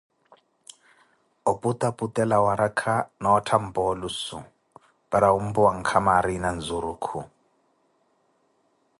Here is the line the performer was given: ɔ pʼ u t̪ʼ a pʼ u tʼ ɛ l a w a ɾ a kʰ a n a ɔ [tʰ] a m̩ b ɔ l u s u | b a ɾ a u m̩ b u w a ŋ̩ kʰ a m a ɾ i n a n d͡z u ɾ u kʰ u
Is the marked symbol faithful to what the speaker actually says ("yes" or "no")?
yes